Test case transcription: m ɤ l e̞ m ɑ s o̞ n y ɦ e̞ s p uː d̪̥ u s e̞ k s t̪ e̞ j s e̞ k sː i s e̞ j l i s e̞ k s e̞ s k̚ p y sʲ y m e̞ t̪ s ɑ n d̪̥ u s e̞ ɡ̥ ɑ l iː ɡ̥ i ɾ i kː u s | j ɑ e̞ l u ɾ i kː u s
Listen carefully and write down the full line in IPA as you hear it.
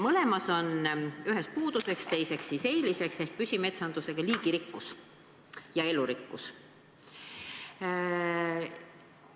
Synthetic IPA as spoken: m ɤ l e̞ m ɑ s o̞ n y ɦ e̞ s p uː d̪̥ u s e̞ k s t̪ e̞ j s e̞ k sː i s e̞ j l i s e̞ k s e̞ h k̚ p y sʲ i m e̞ t̪ s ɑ n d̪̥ u s e̞ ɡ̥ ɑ l iː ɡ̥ i ɾ i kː u s | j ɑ e̞ l u ɾ i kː u s